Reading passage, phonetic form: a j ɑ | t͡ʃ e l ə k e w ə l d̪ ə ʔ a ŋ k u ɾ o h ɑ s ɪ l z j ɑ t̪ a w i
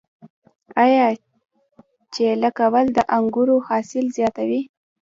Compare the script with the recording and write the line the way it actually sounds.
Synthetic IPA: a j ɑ | t͡ʃ e l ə k a w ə l d̪ ə ʔ a ŋ ɡ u ɾ o h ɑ s ɪ l z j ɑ t̪ a w i